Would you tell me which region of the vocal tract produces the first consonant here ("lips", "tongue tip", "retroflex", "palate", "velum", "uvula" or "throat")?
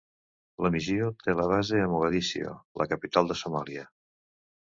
tongue tip